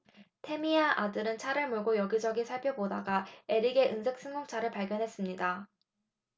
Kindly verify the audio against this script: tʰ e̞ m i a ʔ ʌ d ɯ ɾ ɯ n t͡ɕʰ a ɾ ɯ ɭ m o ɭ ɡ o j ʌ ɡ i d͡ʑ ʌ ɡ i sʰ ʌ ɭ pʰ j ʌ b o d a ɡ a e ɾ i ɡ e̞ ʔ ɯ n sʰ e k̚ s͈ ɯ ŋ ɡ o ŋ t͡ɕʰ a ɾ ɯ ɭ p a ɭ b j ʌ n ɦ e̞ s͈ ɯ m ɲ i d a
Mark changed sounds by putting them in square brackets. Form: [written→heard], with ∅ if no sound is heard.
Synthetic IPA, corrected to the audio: tʰ e̞ m i a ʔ [ʌ→a] d ɯ ɾ ɯ n t͡ɕʰ a ɾ ɯ ɭ m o ɭ ɡ o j ʌ ɡ i d͡ʑ ʌ ɡ i sʰ [ʌ→a] ɭ pʰ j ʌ b o d a ɡ a e ɾ i ɡ e̞ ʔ ɯ n sʰ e k̚ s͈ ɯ ŋ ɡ o ŋ t͡ɕʰ a ɾ ɯ ɭ p a ɭ [b→ɡ] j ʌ n ɦ e̞ s͈ ɯ m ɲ i d a